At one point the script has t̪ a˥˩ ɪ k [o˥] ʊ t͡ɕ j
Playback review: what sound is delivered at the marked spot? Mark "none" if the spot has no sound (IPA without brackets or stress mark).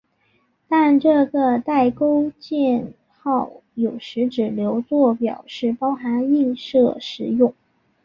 o˥